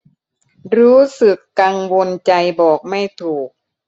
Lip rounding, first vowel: rounded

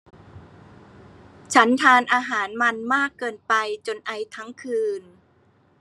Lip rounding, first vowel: unrounded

